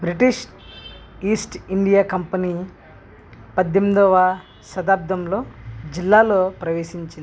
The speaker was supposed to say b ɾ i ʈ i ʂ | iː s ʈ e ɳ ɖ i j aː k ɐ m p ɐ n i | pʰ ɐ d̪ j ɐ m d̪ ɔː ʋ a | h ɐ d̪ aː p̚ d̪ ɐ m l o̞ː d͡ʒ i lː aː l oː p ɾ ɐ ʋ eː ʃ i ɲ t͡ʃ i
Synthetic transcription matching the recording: b ɾ i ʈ i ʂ | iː s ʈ i ɳ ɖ i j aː k ɐ m p ɐ n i | p ɐ d̪ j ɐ m d̪ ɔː ʋ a | s ɐ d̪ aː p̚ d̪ ɐ m l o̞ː d͡ʒ i lː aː l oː p ɾ ɐ ʋ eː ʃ i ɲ t͡ʃ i